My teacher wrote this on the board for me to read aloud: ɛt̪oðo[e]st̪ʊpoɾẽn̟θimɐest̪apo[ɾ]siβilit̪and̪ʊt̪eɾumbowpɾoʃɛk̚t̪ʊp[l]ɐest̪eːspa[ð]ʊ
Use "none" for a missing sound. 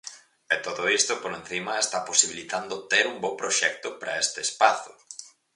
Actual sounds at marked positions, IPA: i, none, ɾ, θ

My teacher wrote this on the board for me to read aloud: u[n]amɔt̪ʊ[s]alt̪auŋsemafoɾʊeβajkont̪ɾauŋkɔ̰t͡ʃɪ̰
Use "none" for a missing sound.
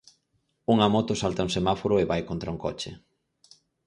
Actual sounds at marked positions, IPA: ŋ, s

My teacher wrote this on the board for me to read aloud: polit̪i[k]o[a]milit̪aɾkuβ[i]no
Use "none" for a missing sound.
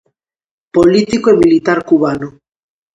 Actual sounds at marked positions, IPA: k, e, a

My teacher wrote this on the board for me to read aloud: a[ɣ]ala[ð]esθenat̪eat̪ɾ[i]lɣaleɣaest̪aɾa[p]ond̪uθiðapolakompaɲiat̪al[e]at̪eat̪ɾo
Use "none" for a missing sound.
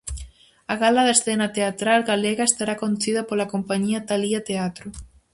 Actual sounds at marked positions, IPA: ɣ, ð, a, k, i

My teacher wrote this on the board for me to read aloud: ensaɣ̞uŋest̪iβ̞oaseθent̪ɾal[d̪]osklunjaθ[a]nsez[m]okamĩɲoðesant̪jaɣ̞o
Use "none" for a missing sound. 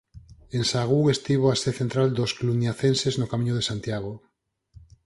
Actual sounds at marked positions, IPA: d̪, e, n

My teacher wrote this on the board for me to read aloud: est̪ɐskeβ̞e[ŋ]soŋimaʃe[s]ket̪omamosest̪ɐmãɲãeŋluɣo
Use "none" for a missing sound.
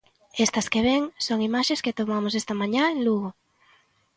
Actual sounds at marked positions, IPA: ŋ, s

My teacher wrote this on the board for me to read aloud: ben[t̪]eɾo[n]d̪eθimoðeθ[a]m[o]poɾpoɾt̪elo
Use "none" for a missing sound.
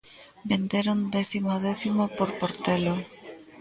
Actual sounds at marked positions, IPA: d̪, n, i, o

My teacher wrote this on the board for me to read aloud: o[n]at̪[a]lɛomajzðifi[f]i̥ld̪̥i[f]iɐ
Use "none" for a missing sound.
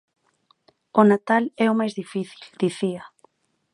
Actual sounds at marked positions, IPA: n, a, θ, θ

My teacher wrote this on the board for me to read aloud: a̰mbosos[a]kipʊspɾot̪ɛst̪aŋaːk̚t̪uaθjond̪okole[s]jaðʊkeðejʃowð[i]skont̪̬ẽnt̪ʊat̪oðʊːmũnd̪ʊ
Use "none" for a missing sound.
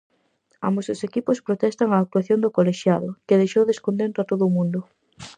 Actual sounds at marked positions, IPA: e, ʃ, e

